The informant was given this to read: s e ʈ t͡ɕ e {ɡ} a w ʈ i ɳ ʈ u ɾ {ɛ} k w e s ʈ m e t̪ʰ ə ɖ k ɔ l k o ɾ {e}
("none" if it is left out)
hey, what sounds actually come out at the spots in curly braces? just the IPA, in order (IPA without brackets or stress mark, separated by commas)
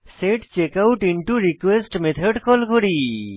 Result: k, i, i